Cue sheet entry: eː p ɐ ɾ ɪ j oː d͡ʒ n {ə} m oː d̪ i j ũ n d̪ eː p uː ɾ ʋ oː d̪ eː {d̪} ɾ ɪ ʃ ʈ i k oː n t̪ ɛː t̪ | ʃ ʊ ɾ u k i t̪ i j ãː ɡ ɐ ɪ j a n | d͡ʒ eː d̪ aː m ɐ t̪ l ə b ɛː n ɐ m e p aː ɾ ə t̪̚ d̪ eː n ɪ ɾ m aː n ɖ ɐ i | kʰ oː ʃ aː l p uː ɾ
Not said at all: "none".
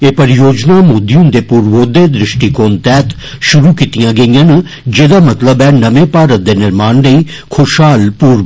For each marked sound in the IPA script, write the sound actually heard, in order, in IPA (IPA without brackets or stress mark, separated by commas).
a, d̪